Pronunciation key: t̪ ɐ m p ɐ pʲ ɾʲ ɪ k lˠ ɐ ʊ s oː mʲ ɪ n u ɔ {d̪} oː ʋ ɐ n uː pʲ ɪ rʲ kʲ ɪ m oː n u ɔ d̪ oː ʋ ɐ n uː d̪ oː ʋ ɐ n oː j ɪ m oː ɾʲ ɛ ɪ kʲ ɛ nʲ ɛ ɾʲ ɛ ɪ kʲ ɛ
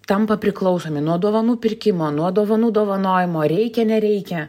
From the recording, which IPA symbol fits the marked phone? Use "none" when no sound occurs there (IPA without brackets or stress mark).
d̪